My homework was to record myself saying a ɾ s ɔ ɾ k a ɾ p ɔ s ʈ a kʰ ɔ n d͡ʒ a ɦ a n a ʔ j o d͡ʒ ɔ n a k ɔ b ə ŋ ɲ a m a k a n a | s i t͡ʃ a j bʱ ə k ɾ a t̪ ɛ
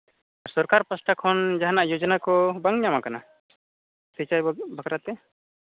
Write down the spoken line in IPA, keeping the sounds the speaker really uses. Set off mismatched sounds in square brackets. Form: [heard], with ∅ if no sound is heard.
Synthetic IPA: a ɾ s ɔ ɾ k a ɾ p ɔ s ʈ a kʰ ɔ n d͡ʒ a ɦ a n a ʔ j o d͡ʒ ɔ n a k ɔ b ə ŋ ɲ a m a k a n a | s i t͡ʃ a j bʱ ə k ɾ a t̪ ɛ